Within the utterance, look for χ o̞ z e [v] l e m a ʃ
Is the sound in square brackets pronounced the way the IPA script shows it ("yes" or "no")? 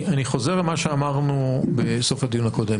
no